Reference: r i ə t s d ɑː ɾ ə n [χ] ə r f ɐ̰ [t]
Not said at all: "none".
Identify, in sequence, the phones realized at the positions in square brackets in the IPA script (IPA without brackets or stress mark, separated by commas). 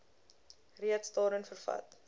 f, t